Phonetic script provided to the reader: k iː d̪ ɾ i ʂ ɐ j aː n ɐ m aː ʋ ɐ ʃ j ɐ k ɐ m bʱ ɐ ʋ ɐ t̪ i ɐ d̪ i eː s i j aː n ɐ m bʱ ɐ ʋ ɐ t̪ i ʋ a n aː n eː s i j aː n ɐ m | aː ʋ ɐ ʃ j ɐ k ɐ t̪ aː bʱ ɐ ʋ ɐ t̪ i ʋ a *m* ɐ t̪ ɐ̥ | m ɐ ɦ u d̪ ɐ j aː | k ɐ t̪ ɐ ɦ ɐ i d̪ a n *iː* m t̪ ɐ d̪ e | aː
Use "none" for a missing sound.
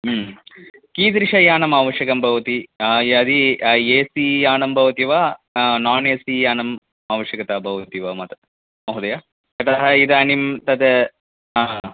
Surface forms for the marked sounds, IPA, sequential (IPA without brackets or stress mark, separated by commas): m, i